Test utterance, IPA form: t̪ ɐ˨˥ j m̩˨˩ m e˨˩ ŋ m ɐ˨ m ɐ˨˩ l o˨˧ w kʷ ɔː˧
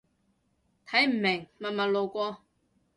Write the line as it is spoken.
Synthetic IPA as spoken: t̪ʰ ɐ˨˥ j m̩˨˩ m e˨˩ ŋ m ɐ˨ m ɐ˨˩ l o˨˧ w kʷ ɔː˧